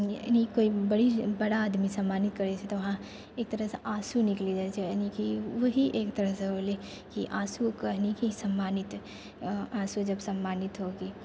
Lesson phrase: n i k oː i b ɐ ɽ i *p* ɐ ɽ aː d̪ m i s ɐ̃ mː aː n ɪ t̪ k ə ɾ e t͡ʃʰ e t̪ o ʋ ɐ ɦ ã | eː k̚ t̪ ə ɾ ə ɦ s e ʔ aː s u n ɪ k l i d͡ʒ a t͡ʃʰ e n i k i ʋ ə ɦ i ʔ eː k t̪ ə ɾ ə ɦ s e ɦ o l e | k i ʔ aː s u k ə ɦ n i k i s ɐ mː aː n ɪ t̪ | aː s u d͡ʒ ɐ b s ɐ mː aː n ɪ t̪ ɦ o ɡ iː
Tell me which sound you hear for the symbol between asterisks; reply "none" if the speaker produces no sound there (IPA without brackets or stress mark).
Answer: b